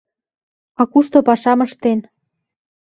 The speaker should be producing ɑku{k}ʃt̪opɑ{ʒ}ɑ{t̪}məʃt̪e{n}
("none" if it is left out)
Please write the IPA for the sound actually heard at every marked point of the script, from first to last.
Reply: none, ʃ, none, n

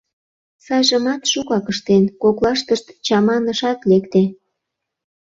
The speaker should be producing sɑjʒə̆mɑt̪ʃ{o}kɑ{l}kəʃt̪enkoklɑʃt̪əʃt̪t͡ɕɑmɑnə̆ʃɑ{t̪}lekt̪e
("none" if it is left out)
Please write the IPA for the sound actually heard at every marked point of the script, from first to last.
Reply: u, none, t̪

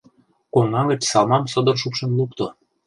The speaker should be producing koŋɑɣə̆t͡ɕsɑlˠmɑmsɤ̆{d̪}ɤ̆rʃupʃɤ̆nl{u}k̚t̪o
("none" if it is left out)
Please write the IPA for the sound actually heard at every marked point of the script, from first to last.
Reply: d̪, u

